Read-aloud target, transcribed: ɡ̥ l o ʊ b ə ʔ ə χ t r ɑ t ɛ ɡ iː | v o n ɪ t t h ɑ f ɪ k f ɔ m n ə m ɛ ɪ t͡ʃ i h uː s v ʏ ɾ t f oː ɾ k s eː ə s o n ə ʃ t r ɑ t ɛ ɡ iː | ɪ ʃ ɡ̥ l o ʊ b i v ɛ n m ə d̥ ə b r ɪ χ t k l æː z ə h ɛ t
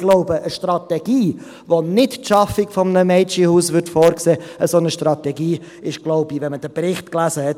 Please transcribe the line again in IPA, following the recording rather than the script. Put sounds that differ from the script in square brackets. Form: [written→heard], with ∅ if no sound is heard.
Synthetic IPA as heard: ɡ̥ l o ʊ b ə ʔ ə [χ→ʃ] t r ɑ t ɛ ɡ iː | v o n ɪ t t [h→ʃ] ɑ f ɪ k f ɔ m n ə m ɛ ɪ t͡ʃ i h uː s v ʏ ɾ t f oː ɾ k s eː ə s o n ə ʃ t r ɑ t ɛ ɡ iː | ɪ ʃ ɡ̥ l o ʊ b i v ɛ n m ə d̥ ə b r ɪ χ t k l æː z ə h ɛ t